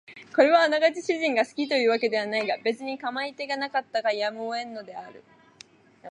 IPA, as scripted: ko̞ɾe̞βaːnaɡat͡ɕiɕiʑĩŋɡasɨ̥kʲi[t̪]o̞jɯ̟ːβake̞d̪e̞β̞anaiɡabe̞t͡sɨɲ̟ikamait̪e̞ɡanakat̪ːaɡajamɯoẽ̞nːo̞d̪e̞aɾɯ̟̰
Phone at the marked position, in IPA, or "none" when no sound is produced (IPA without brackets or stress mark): t̪